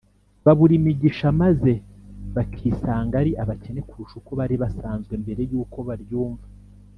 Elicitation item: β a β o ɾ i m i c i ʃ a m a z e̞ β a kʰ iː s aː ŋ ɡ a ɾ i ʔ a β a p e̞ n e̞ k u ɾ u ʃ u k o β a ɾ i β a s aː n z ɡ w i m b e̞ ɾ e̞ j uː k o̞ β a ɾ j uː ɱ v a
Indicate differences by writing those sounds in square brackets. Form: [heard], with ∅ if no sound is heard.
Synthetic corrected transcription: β a β [u] ɾ i m i [ɟ] i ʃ a m a z e̞ β a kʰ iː s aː ŋ ɡ a ɾ i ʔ a β a [c] e̞ n e̞ k u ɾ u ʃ u k o β a ɾ i β a s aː n z ɡ w [e] m b e̞ ɾ e̞ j uː k o̞ β a ɾ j uː ɱ v a